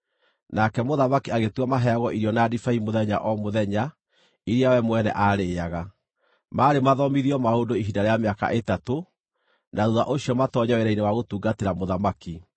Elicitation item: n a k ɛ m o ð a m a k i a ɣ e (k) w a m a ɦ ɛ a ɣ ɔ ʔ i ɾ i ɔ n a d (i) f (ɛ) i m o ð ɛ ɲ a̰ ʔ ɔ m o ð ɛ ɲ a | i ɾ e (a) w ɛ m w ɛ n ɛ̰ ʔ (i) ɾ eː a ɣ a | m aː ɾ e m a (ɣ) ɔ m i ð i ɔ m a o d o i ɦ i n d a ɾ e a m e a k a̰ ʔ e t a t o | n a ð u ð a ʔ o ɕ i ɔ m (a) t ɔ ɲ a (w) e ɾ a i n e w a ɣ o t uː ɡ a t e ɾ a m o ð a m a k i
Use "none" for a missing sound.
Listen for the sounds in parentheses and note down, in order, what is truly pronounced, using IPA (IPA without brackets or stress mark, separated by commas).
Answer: t, i, a, a, a, ð, a, w